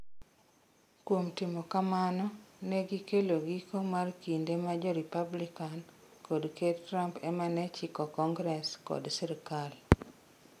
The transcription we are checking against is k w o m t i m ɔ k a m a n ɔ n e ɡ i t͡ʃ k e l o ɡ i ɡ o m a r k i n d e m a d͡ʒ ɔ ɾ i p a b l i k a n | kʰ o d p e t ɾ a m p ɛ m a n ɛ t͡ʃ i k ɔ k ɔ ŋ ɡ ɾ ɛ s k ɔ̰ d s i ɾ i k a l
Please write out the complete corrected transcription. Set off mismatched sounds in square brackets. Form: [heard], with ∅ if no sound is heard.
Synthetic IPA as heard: k w o m t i m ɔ k a m a n ɔ n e ɡ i [∅] k e l o ɡ i [k] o m a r k i n d e m a d͡ʒ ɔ ɾ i p a b l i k a n | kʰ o d [k] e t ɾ a m p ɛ m a n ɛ t͡ʃ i k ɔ k ɔ ŋ ɡ ɾ ɛ s k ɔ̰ d s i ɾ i k a l

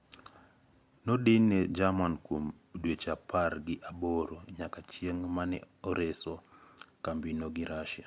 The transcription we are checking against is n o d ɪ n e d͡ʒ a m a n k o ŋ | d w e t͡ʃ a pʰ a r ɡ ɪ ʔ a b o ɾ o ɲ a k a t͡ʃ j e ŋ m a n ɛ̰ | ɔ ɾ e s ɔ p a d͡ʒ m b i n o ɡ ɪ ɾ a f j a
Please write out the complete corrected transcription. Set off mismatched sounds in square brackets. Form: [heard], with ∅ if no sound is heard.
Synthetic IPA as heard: n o d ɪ n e d͡ʒ a m a n k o [m] | d w e t͡ʃ a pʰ a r ɡ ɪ ʔ a b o ɾ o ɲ a k a t͡ʃ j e ŋ m a n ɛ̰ | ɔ ɾ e s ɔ [k] a [∅] m b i n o ɡ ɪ ɾ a [ʃ] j a

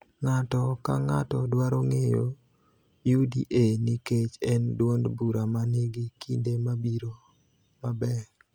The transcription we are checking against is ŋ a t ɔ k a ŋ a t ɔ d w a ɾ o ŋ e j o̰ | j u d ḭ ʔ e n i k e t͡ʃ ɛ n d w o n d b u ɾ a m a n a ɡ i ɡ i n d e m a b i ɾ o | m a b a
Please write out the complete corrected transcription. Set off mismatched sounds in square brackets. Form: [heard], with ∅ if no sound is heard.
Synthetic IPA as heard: ŋ a t ɔ k a ŋ a t ɔ d w a ɾ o ŋ e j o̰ | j u d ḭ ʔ e n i k e t͡ʃ ɛ n d w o n d b u ɾ a m a n [e] ɡ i [k] i n d e m a b i ɾ o | m a b [ɛ]

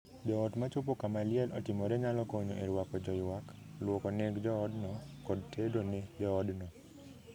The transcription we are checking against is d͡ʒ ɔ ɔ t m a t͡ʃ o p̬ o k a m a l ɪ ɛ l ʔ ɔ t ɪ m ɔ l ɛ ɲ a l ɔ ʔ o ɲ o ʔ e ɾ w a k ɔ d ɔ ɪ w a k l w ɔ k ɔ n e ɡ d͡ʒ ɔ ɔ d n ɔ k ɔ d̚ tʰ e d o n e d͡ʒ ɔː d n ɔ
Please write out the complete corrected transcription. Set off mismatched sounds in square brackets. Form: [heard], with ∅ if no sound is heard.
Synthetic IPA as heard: d͡ʒ ɔ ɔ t m a t͡ʃ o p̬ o k a m a l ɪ ɛ l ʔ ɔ t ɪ m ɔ [ɾ] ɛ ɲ a l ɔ [k] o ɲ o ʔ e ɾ w a k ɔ [d͡ʒ] ɔ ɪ w a k l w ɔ k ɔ n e ɡ d͡ʒ ɔ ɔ d n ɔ k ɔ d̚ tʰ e d o n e d͡ʒ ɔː d n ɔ

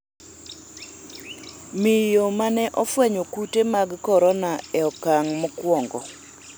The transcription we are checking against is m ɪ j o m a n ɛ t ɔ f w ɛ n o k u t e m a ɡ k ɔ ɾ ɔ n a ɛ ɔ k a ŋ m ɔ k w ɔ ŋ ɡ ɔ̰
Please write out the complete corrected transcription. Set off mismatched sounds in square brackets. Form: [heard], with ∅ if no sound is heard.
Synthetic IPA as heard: m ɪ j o m a n ɛ [ʔ] ɔ f w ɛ [ɲ] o k u t e m a ɡ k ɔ ɾ ɔ n a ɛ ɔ k a ŋ m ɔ k w ɔ ŋ ɡ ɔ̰

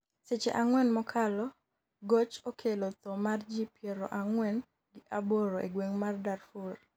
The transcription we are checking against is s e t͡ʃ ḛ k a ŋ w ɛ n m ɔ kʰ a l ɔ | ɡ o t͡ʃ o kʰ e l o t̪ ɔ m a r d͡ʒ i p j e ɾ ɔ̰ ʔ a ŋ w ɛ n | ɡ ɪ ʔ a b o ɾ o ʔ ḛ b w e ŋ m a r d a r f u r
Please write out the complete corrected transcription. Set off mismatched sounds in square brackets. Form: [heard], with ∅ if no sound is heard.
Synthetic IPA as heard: s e t͡ʃ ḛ [ʔ] a ŋ w ɛ n m ɔ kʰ a l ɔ | ɡ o t͡ʃ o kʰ e l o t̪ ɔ m a r d͡ʒ i p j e ɾ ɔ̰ ʔ a ŋ w ɛ n | ɡ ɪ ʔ a b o ɾ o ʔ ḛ [ɡ] w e ŋ m a r d a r f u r

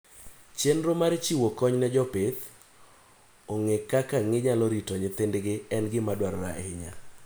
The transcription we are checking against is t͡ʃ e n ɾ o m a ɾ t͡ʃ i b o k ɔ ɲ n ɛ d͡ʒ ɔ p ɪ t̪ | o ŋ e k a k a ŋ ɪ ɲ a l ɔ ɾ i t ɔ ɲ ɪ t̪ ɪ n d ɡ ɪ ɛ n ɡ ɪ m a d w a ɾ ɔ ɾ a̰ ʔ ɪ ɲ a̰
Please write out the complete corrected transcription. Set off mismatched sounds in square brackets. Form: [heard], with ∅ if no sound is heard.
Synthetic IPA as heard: t͡ʃ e n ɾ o m a ɾ t͡ʃ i [w] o k ɔ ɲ n ɛ d͡ʒ ɔ p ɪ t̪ | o ŋ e k a k a ŋ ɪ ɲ a l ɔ ɾ i t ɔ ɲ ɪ t̪ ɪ n d ɡ ɪ ɛ n ɡ ɪ m a d w a ɾ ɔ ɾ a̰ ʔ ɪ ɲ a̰

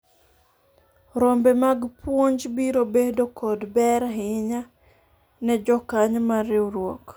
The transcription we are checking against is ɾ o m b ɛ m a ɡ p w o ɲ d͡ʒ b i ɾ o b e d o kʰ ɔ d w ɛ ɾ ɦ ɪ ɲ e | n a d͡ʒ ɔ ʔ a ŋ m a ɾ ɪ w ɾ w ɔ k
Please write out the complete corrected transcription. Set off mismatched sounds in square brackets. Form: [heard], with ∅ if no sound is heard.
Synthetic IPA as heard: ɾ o m b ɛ m a ɡ p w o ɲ d͡ʒ b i ɾ o b e d o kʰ ɔ d [b] ɛ ɾ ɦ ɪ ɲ [a] | n [ɛ] d͡ʒ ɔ [k] a [ɲ] m a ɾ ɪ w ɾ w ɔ k

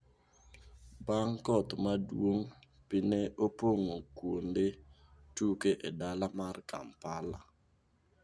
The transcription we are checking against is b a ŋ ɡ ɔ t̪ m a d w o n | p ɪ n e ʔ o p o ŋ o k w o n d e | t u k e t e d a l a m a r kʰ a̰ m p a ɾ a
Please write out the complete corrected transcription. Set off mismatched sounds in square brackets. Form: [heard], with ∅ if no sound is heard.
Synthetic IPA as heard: b a ŋ [k] ɔ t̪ m a d w o [ŋ] | p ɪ n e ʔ o p o ŋ o k w o n d e | t u k e [ʔ] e d a l a m a r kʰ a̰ m p a [l] a

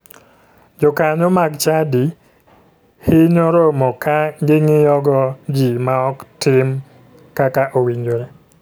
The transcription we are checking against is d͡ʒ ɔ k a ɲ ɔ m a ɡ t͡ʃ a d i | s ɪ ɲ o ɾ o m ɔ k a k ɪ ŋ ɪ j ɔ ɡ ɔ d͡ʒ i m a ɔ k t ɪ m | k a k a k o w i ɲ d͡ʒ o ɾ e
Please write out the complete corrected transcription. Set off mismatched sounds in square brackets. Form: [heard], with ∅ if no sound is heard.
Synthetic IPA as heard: d͡ʒ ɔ k a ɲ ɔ m a ɡ t͡ʃ a d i | [h] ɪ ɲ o ɾ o m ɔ k a [ɡ] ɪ ŋ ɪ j ɔ ɡ ɔ d͡ʒ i m a ɔ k t ɪ m | k a k a [ʔ] o w i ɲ d͡ʒ o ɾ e

